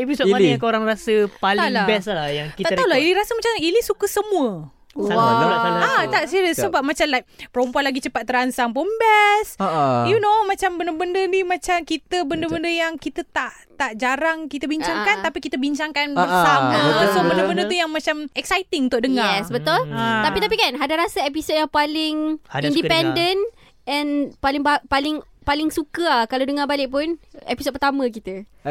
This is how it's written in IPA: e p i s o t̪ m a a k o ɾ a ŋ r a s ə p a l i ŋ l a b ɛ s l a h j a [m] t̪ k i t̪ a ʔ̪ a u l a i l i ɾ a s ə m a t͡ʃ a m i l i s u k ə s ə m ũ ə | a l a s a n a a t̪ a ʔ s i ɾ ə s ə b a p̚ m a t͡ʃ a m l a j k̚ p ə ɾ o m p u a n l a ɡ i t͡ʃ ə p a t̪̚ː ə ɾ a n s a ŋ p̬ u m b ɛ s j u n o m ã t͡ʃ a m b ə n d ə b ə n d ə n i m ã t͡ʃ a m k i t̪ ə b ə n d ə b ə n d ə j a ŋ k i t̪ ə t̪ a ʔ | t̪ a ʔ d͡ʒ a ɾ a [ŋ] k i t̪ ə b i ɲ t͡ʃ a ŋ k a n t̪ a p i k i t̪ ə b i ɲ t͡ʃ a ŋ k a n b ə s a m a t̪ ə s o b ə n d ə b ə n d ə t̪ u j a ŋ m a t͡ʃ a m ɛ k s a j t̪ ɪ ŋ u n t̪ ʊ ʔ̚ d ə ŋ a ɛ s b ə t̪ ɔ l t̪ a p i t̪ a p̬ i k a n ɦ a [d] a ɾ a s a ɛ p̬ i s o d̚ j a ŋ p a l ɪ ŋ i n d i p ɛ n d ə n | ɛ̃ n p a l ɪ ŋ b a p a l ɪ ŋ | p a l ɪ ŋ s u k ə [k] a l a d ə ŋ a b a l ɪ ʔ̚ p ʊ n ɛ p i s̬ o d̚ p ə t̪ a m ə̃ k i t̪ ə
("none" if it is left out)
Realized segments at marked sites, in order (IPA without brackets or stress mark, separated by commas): ŋ, ŋ, d, k